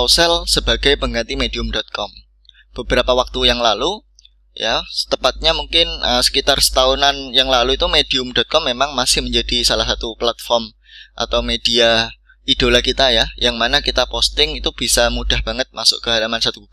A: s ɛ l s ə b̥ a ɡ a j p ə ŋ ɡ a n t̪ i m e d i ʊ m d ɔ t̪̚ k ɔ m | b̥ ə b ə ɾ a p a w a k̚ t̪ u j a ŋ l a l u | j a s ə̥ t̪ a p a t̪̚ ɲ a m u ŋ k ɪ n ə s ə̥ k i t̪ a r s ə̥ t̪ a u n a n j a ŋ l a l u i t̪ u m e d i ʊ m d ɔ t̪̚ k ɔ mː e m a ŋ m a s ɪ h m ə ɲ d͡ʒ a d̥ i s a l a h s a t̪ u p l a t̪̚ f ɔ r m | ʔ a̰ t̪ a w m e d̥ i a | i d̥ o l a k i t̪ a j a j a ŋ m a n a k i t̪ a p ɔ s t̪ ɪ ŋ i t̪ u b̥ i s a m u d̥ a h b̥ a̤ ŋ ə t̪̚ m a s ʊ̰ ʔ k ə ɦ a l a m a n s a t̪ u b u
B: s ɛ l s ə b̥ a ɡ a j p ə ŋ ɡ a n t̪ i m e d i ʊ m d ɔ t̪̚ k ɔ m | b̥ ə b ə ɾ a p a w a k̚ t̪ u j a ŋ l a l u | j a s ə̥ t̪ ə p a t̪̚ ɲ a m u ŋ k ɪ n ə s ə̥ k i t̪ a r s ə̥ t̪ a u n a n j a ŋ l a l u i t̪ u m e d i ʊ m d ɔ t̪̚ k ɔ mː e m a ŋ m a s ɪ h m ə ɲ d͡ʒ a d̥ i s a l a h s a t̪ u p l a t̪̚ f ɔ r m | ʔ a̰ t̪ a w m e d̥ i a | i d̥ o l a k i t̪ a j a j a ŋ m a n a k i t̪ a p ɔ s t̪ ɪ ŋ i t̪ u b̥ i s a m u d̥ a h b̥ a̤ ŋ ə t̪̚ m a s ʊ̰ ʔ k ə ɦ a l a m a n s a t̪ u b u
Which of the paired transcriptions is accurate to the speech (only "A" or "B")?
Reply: B